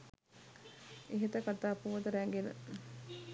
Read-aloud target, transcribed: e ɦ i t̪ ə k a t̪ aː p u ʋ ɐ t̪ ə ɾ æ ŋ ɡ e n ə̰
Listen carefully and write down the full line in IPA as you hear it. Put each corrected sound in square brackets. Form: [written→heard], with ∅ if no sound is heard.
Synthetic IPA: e ɦ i t̪ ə k a t̪ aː p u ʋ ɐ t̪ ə ɾ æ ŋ ɡ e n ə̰